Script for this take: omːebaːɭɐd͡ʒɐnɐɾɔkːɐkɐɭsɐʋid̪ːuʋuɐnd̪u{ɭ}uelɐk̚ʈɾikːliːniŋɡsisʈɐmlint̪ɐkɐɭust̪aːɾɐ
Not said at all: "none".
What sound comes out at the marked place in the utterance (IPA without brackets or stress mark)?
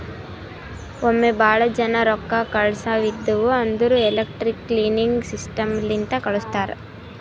ɾ